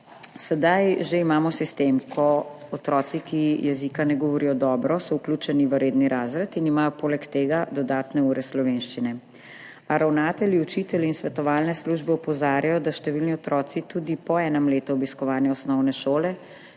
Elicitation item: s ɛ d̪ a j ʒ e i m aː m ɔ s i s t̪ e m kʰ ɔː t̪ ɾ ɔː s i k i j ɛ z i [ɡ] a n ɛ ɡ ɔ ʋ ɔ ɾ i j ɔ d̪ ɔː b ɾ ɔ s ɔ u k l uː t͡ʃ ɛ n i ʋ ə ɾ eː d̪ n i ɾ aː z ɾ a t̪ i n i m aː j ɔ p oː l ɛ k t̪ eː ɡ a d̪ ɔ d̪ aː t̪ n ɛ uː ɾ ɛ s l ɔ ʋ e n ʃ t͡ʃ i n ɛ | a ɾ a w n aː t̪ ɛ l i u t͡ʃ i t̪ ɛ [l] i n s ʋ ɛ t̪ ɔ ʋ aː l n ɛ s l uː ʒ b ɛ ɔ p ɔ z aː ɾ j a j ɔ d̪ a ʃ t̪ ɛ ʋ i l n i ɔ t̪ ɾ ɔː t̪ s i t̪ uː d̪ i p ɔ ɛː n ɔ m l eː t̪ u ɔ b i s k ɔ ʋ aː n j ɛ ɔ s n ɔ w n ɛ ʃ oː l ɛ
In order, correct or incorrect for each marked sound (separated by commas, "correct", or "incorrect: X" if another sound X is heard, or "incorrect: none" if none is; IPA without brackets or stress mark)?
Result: incorrect: k, correct